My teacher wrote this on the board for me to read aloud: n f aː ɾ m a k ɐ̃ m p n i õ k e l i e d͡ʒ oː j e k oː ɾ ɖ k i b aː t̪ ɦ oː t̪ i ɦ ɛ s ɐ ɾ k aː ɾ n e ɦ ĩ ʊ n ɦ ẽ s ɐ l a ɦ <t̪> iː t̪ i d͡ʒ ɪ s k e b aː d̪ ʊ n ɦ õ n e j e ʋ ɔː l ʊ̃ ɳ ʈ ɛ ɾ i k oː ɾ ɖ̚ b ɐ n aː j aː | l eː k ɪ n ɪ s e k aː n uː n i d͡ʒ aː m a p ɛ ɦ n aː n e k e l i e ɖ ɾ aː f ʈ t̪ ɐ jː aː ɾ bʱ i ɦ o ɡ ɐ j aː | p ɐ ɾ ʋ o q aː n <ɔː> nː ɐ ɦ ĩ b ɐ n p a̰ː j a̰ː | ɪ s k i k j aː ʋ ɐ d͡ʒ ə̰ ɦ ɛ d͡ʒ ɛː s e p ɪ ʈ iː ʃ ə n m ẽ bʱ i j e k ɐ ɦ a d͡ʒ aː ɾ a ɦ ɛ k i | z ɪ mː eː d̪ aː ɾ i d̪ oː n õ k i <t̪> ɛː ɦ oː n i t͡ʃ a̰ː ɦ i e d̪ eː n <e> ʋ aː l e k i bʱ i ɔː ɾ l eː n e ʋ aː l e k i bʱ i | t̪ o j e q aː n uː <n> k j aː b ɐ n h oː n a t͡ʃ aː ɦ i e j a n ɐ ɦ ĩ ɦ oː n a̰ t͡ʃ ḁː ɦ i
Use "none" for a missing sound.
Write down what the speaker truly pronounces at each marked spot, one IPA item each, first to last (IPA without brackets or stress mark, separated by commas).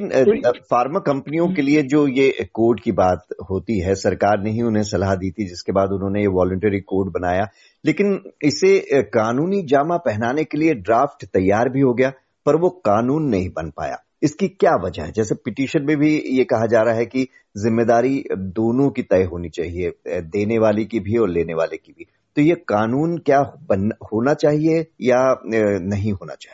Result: d̪, uː, t̪, e, n